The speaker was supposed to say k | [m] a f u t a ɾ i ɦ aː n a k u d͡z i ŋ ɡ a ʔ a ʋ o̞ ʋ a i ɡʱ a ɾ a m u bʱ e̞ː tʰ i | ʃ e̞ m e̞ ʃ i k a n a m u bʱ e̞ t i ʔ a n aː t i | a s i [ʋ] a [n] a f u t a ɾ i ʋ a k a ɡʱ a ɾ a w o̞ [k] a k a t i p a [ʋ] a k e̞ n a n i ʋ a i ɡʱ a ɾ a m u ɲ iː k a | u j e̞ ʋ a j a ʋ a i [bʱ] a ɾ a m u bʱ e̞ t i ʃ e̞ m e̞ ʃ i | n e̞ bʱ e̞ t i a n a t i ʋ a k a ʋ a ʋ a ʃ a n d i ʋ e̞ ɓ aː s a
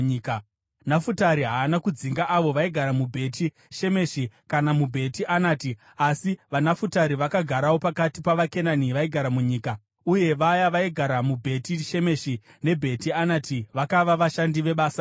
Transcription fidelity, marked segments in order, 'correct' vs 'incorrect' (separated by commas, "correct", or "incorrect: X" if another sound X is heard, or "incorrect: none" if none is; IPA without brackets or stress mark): incorrect: n, correct, correct, incorrect: p, correct, incorrect: ɡʱ